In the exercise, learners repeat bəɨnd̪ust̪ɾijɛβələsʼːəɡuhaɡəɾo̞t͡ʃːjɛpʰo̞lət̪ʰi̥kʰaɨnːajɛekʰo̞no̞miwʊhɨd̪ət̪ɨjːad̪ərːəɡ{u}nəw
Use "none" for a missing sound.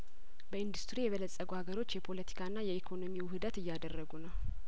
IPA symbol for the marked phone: u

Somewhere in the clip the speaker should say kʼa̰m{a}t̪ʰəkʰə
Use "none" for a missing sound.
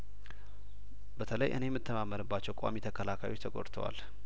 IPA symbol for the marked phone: i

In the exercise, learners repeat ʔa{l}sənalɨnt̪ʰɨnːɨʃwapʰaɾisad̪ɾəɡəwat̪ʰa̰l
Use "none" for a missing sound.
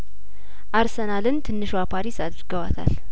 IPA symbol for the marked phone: ɾ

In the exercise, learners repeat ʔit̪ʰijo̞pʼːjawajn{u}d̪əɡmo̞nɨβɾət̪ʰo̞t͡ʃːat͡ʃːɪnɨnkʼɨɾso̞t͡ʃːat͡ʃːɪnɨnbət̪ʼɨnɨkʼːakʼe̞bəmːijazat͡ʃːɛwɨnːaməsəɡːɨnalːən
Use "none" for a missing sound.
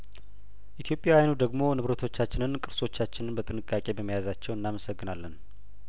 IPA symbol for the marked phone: u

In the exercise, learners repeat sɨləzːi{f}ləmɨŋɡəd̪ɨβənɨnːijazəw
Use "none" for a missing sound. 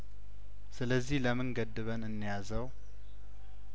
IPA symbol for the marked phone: h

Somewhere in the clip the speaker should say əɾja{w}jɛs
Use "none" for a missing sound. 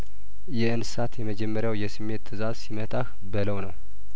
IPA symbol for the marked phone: w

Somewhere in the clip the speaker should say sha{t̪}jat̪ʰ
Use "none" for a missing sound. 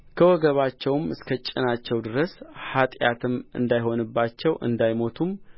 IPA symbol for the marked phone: t̪ʼ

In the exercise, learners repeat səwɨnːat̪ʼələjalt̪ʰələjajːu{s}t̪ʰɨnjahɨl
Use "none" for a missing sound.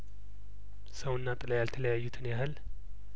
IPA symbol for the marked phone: none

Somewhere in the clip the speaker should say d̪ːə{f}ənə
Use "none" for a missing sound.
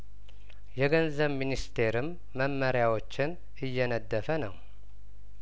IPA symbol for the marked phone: f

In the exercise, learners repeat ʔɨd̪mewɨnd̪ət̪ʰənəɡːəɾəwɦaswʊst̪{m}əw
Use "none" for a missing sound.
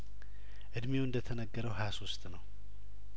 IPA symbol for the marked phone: n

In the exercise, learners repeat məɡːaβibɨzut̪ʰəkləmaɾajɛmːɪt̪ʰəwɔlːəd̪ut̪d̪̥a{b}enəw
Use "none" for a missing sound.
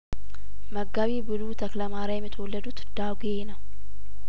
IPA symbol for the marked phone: ɡ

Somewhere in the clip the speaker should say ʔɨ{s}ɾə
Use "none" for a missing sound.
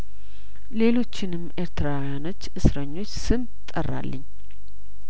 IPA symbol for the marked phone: s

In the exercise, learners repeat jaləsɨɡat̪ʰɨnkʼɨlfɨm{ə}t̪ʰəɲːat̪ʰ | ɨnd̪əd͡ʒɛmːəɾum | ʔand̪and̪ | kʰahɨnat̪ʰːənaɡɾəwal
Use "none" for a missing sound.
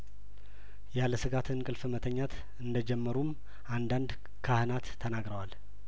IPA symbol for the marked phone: ə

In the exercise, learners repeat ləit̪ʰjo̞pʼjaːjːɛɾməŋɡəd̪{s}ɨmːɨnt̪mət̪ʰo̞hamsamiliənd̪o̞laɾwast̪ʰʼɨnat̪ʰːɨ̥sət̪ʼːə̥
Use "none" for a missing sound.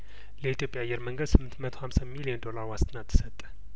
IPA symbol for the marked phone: s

